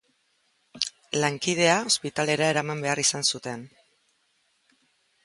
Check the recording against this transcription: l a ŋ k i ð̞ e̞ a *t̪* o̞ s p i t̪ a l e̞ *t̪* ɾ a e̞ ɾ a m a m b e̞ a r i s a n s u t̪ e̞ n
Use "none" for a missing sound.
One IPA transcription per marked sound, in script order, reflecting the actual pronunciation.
none, none

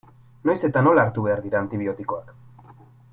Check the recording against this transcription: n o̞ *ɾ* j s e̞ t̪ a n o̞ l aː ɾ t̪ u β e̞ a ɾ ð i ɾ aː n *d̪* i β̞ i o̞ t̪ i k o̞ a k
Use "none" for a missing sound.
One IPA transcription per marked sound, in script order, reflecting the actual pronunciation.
none, t̪

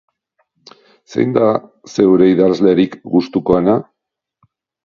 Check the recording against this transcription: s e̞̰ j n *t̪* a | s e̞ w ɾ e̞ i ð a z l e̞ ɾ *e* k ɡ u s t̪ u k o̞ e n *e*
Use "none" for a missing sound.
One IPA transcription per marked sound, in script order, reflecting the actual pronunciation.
d̪, i, a

